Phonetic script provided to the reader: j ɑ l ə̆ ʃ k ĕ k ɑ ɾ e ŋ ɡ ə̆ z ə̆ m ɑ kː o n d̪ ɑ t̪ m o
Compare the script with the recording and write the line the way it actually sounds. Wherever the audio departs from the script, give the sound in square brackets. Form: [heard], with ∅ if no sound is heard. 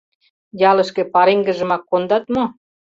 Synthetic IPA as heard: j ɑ l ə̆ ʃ k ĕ [p] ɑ ɾ e ŋ ɡ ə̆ [ʒ] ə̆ m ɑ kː o n d̪ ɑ t̪ m o